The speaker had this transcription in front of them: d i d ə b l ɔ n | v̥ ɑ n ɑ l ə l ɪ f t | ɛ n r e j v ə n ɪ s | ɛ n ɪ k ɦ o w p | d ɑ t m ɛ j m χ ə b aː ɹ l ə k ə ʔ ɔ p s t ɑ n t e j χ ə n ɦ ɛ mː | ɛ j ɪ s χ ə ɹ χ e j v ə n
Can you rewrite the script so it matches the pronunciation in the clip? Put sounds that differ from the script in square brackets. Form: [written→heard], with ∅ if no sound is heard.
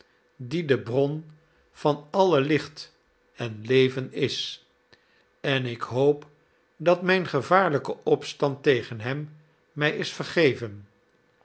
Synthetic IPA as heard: d i d ə b [l→r] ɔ n | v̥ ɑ n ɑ l ə l ɪ [f→χ] t | ɛ n [r→l] e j v ə n ɪ s | ɛ n ɪ k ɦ o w p | d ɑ t m ɛ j [m→n] χ ə [b→v] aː ɹ l ə k ə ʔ ɔ p s t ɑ n t e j χ ə n ɦ ɛ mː | ɛ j ɪ s [χ→f] ə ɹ χ e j v ə n